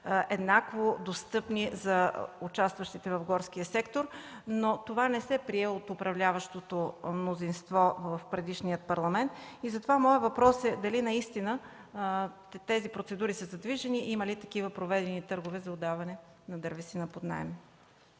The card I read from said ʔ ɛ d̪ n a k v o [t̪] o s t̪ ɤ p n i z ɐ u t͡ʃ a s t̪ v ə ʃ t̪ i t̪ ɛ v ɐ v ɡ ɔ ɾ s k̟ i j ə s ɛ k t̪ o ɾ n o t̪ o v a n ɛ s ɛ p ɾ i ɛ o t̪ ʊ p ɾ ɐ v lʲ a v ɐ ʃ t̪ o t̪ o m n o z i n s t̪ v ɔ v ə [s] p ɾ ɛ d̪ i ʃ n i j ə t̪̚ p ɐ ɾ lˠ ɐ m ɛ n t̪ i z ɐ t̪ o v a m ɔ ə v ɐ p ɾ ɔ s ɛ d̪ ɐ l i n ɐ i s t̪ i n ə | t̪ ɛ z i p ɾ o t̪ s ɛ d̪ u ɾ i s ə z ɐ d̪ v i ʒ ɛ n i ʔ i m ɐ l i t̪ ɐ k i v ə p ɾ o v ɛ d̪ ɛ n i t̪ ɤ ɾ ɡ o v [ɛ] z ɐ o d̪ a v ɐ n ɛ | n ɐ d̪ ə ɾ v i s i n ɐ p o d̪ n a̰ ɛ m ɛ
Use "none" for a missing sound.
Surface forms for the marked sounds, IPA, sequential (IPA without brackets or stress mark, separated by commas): d̪, f, ɛ